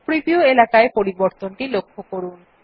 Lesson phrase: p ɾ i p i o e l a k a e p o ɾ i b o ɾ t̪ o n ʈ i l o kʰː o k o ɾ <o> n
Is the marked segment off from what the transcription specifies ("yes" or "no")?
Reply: yes